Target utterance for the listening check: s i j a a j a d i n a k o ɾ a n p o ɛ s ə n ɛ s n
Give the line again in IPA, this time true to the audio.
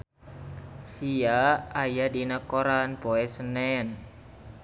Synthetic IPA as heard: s i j a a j a d i n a k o ɾ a n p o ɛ s ə n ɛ n